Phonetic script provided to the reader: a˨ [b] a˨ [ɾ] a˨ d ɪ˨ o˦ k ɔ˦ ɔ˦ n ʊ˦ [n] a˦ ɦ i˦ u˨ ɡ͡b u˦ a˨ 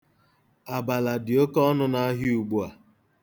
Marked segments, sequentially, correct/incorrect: correct, incorrect, correct

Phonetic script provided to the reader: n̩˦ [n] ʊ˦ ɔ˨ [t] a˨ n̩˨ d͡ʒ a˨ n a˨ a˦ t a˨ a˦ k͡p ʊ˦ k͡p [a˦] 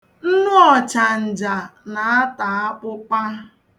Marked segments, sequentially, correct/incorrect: correct, incorrect, correct

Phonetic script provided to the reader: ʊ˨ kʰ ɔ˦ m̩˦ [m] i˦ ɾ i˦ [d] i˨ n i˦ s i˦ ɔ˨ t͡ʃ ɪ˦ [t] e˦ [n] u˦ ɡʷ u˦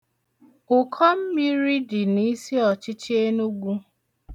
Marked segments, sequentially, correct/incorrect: correct, correct, incorrect, correct

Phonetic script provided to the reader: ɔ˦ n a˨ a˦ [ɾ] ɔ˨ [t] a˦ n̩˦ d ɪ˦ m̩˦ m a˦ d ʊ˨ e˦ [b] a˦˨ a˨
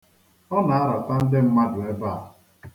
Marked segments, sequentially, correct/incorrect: correct, correct, correct

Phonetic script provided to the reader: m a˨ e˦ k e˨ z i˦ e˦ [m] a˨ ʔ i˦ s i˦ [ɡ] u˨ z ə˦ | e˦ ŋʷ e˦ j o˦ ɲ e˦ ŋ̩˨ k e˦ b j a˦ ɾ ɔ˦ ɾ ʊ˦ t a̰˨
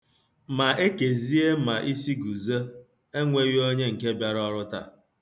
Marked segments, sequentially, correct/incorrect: correct, correct

